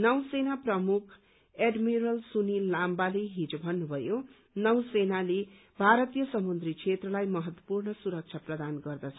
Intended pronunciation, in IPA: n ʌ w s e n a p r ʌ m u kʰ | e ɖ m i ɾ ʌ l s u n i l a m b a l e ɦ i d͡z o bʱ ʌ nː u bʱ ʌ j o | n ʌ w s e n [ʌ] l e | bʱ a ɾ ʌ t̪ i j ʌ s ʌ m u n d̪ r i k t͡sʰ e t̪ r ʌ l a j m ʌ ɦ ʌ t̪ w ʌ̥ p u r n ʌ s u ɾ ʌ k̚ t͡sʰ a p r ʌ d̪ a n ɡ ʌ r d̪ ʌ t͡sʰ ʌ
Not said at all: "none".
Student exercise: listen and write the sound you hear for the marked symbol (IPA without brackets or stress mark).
a